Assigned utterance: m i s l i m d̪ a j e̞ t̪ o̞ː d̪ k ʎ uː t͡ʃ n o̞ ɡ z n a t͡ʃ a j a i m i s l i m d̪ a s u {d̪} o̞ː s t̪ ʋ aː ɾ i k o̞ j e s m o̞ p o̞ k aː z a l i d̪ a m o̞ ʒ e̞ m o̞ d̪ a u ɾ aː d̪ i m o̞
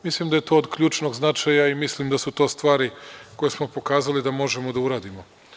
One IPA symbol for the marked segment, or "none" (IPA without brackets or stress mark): t̪